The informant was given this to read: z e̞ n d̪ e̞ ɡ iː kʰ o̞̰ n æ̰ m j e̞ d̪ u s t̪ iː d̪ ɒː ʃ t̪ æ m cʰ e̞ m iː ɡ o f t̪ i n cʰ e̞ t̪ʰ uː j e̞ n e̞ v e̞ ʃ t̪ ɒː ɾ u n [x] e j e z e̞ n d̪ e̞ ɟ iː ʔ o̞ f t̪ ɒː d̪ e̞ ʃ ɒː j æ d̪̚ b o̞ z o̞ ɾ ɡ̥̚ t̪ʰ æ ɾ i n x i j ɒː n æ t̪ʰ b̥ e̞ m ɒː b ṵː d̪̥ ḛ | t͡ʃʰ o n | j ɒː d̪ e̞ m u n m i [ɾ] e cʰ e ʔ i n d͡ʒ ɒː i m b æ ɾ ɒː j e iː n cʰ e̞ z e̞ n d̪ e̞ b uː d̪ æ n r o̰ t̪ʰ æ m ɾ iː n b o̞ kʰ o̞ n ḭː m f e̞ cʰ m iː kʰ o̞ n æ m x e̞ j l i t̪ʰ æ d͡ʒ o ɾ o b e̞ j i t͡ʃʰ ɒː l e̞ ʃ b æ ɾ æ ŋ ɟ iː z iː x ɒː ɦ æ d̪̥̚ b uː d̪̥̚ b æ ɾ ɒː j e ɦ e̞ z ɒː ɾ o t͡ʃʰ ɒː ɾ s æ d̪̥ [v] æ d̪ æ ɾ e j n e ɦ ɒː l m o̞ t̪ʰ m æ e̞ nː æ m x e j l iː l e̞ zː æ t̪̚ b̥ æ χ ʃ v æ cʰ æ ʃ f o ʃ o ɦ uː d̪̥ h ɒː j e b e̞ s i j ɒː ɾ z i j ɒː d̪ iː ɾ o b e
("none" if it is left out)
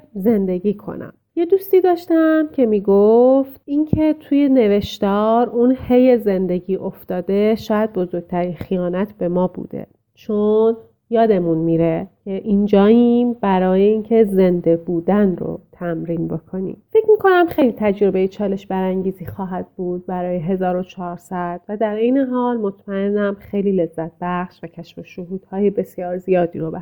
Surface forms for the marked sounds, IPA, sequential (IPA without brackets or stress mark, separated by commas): h, ɾ, v